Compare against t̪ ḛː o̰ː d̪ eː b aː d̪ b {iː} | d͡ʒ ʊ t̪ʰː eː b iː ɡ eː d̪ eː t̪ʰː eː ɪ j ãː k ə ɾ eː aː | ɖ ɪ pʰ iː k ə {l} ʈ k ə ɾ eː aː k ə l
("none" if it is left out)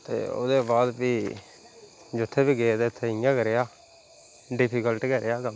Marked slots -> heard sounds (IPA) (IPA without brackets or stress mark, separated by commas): iː, l